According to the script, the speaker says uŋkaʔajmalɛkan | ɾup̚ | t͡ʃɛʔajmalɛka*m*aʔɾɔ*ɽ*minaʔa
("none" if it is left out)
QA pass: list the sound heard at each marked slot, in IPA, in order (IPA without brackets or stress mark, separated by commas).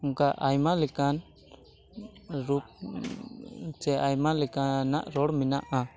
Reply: n, ɽ